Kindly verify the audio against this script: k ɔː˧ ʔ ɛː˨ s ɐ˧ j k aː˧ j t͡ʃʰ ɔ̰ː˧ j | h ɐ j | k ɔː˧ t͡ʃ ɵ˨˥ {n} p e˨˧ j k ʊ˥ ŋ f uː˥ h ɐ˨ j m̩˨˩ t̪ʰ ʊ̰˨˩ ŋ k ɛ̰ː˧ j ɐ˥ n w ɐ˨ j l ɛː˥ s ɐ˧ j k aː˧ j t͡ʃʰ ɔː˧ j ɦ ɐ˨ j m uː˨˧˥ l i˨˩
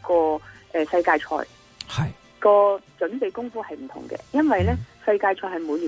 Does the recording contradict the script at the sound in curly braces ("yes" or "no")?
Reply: no